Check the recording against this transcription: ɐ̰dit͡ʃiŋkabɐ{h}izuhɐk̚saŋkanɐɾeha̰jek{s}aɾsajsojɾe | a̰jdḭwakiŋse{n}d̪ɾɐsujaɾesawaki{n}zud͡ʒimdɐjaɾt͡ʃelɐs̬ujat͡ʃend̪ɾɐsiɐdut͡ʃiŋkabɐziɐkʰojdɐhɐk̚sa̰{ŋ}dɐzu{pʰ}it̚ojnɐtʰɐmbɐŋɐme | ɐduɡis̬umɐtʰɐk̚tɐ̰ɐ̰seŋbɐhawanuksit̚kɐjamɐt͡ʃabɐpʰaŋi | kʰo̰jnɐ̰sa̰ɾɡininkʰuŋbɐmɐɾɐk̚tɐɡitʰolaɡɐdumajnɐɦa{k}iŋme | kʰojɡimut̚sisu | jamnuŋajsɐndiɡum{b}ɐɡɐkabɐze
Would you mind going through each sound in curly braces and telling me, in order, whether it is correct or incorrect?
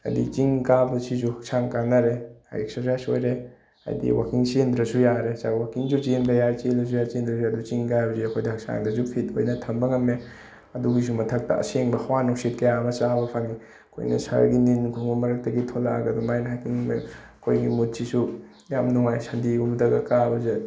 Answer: incorrect, correct, correct, incorrect, correct, correct, correct, incorrect

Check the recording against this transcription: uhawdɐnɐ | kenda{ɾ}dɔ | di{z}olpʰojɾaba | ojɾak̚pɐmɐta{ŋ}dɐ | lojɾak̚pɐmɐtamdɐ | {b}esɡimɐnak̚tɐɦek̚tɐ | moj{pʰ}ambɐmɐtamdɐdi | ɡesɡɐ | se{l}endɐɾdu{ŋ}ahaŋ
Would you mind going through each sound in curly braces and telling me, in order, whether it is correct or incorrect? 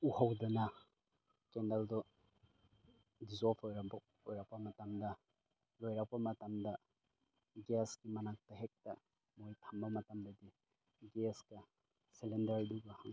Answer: incorrect, correct, incorrect, incorrect, incorrect, correct, incorrect

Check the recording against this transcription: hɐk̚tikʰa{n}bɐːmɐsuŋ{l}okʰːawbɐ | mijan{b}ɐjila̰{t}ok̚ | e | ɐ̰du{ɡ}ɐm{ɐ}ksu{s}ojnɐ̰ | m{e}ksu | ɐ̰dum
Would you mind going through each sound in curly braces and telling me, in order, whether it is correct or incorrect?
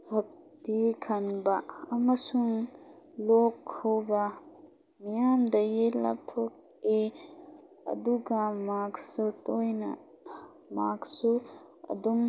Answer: correct, correct, incorrect, incorrect, correct, incorrect, incorrect, incorrect

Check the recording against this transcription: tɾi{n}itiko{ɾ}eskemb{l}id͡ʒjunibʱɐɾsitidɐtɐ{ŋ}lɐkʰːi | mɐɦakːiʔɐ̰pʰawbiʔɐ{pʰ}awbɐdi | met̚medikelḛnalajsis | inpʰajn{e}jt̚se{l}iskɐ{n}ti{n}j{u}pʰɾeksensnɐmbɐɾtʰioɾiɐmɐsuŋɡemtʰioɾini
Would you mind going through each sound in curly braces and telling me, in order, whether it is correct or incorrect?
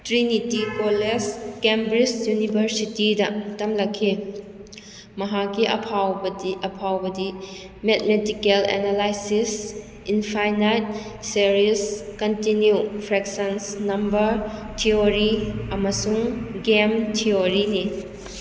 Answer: correct, incorrect, incorrect, incorrect, correct, incorrect, incorrect, correct, correct, correct

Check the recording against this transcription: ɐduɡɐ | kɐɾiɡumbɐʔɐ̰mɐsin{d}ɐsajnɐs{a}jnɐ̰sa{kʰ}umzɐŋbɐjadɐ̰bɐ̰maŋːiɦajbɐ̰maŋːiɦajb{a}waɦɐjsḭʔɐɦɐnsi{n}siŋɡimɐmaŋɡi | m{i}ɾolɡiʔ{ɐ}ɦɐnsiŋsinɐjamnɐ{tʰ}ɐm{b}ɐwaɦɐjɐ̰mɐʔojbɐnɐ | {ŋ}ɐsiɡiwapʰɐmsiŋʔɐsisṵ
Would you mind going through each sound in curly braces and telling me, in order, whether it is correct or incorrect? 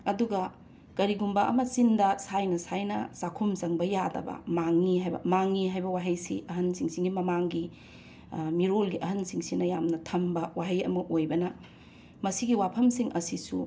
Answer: correct, correct, correct, incorrect, incorrect, correct, correct, correct, correct, incorrect

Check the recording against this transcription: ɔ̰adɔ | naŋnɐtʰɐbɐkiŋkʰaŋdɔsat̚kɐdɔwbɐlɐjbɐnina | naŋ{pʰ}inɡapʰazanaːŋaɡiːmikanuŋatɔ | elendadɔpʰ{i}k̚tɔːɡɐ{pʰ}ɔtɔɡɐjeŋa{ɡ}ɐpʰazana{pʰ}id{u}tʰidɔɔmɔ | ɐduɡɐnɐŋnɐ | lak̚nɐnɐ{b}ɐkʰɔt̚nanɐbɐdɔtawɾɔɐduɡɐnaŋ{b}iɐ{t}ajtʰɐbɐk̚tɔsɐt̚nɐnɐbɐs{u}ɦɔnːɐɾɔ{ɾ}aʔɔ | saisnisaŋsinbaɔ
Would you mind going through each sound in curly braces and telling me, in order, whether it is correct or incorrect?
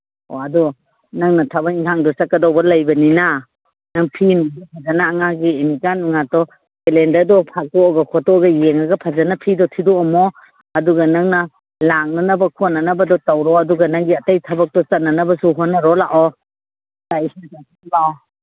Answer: correct, incorrect, incorrect, correct, correct, incorrect, correct, incorrect, correct, correct, incorrect

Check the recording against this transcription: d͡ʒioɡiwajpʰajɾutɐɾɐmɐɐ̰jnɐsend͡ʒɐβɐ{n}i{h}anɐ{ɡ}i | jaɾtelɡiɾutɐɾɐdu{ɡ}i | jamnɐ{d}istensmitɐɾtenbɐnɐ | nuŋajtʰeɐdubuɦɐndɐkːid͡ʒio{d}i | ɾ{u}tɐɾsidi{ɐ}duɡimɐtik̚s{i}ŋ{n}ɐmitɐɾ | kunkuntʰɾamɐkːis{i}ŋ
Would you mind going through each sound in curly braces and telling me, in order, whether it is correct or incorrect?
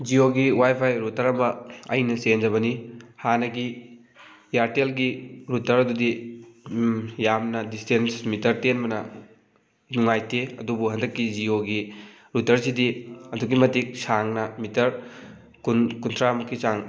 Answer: correct, correct, correct, incorrect, correct, incorrect, correct, correct, incorrect, correct, incorrect

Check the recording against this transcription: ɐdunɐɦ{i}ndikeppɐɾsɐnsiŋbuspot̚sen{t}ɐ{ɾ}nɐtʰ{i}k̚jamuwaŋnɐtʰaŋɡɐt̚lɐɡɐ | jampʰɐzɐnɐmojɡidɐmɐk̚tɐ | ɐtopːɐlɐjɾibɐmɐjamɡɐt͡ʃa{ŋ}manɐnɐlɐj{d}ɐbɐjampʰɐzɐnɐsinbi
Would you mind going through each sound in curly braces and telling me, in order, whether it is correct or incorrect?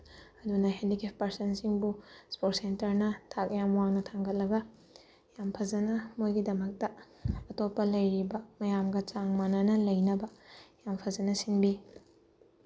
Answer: incorrect, correct, correct, incorrect, correct, incorrect

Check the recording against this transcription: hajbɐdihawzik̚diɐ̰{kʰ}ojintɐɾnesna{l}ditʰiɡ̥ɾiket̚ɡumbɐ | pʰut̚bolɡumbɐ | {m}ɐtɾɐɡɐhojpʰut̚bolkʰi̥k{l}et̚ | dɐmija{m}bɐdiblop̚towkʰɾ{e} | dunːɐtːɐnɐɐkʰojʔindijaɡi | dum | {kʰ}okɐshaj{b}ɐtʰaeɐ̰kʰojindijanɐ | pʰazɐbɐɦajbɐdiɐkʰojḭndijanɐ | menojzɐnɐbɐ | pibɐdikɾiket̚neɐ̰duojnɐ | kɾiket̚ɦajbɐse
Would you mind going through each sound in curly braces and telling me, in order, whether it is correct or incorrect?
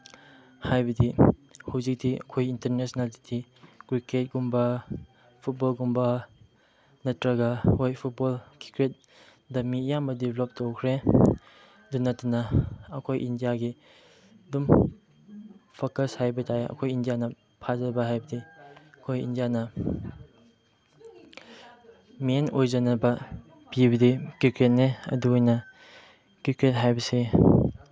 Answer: correct, correct, incorrect, incorrect, correct, correct, incorrect, correct

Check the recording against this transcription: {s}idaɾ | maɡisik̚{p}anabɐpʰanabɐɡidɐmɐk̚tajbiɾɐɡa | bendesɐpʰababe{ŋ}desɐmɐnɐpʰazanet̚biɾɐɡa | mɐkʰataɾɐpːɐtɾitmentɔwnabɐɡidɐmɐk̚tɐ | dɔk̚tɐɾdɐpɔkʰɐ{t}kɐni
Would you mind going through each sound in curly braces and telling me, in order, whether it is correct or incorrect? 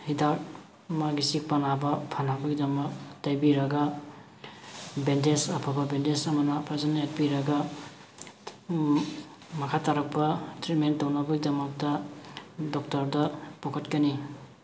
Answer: incorrect, correct, incorrect, correct

